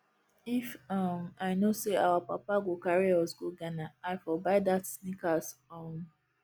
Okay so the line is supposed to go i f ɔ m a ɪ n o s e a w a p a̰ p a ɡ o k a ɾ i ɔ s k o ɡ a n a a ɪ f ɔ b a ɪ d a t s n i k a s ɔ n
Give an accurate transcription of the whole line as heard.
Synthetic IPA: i f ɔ m a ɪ n o s e a w a p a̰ p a ɡ o k a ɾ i ɔ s ɡ o ɡ a n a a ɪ f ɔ b a ɪ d a t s n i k a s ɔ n